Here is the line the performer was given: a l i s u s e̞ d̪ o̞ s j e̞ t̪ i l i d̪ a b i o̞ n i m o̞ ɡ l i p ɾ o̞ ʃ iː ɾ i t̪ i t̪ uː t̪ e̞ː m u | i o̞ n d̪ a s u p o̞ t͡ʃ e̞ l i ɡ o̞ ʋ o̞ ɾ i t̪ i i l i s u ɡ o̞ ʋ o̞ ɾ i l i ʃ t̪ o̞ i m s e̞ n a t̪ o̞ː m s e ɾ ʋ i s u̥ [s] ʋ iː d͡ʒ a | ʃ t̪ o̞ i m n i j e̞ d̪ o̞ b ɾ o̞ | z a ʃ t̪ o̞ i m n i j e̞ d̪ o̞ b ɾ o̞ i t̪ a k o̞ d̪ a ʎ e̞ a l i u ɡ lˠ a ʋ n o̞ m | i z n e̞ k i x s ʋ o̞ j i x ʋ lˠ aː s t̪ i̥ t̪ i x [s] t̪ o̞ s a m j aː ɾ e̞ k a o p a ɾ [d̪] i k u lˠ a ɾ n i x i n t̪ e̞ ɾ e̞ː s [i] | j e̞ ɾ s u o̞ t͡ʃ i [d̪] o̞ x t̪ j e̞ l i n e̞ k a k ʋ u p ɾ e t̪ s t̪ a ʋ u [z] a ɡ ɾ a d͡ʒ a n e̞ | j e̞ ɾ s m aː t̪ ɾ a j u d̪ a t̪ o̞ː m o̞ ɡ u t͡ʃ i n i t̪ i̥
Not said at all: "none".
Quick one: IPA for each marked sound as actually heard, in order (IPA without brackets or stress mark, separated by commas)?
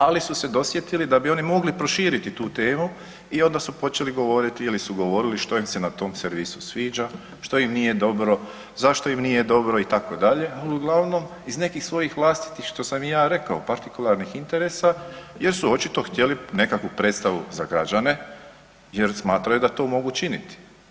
s, ʃ, t̪, a, t̪, z